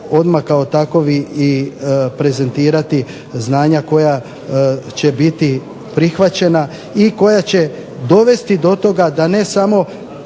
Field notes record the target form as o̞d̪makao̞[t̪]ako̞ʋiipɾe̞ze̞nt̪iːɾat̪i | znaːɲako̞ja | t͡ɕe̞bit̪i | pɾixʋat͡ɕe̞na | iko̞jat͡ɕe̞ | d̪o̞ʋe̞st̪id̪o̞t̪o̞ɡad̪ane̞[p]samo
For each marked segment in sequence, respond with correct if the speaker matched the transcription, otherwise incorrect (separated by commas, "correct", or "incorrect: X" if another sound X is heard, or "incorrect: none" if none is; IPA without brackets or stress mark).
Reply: correct, incorrect: none